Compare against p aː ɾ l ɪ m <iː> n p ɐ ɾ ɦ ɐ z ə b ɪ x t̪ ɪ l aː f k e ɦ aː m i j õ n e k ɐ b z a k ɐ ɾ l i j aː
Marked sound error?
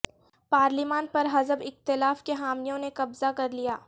yes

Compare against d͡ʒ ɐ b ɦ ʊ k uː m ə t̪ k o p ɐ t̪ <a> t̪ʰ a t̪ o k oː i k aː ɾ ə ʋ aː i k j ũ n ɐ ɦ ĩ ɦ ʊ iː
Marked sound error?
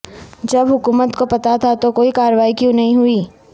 no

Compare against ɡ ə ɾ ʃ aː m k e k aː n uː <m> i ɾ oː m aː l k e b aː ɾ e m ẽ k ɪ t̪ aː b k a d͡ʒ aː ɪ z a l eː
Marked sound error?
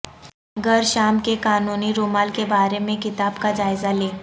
yes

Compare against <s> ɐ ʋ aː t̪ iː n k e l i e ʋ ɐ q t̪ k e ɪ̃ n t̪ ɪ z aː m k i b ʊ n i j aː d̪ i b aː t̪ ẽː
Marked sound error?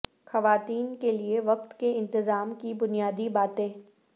yes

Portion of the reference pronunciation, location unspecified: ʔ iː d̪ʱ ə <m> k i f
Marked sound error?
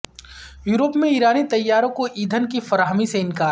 yes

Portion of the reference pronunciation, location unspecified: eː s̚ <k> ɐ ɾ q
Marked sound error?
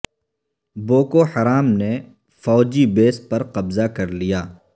yes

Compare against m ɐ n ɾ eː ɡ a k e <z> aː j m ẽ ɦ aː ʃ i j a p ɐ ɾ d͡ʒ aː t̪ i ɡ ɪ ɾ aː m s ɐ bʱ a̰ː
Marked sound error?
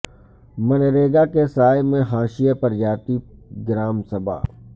yes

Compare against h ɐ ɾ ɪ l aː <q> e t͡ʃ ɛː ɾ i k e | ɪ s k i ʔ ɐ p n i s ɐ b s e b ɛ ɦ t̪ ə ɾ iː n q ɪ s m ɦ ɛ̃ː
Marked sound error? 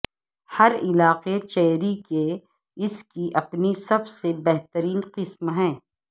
no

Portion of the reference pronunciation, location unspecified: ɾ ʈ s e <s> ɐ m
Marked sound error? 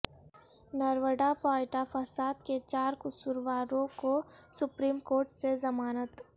yes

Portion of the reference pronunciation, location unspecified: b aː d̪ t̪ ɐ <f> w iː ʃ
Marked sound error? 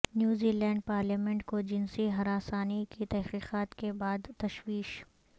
yes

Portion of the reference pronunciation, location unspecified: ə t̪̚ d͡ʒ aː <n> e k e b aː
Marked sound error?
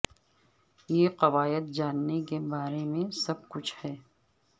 yes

